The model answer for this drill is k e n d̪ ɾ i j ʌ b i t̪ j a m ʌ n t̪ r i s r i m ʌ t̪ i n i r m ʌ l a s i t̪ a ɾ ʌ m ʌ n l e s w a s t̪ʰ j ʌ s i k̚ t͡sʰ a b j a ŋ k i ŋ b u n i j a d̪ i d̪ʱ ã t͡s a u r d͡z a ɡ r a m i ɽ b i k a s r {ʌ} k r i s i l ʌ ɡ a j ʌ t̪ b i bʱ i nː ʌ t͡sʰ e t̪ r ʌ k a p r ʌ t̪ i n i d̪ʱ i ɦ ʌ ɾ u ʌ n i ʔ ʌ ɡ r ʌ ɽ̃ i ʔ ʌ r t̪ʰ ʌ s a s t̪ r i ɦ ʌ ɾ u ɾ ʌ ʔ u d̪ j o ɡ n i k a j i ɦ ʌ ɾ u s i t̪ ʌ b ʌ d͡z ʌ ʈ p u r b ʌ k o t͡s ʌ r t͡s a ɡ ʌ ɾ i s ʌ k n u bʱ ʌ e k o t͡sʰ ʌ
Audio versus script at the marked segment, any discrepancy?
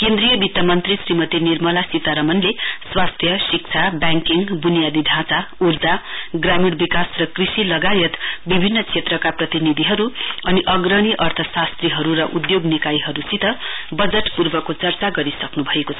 no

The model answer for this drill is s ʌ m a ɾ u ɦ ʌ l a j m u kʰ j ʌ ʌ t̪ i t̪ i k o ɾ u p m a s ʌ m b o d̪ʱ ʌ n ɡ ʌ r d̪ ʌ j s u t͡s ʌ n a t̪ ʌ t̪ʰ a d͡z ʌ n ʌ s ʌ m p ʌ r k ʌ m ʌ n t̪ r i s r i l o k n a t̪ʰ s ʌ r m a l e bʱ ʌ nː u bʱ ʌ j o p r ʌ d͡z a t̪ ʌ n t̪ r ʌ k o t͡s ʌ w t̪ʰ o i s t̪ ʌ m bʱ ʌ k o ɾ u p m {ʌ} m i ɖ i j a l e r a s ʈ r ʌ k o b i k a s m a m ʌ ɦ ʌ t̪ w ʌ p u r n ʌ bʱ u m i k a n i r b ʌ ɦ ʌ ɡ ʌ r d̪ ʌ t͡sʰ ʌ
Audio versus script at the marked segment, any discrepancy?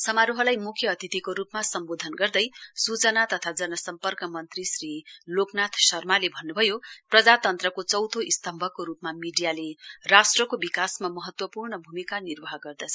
yes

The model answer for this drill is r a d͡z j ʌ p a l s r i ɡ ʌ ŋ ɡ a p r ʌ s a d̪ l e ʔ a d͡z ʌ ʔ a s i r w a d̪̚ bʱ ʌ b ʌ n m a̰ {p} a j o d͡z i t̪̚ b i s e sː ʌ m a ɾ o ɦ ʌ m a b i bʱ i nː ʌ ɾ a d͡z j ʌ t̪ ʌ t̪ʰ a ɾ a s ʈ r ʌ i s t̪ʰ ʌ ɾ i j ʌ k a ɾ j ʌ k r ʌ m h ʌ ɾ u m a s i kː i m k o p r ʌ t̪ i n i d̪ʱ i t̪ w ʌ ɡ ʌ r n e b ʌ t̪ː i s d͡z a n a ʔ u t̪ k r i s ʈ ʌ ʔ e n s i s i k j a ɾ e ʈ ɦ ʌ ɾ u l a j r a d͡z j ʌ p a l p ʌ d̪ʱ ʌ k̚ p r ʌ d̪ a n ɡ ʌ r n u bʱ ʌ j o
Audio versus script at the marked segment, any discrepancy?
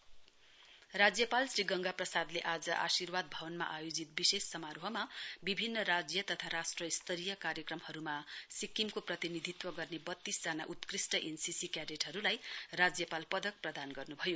yes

